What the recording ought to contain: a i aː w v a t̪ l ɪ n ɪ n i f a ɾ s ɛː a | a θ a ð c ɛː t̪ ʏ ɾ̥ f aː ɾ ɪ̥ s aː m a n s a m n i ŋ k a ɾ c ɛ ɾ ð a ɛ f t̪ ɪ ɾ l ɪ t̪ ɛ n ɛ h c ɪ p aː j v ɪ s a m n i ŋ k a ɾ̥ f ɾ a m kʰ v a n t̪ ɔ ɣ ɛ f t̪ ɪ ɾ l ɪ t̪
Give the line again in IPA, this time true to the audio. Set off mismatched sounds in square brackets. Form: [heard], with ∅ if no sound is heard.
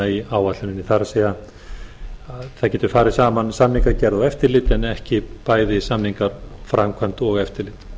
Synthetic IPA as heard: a i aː w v a t̪ l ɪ n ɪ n i [θ] a ɾ s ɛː a | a θ a ð c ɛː t̪ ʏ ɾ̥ f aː ɾ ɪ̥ s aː m a n s a m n i ŋ k a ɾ c ɛ ɾ ð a ɛ f t̪ ɪ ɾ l ɪ t̪ ɛ n ɛ h c ɪ p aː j [ð] ɪ s a m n i ŋ k a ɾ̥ f ɾ a m kʰ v a n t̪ ɔ ɣ ɛ f t̪ ɪ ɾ l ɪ t̪